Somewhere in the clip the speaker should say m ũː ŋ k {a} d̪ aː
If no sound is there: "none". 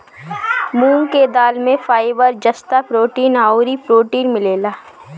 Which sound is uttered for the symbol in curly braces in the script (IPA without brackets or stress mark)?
e